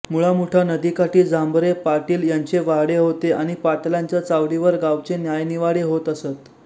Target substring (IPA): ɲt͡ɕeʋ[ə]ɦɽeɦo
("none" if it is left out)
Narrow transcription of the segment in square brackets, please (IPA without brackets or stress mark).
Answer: a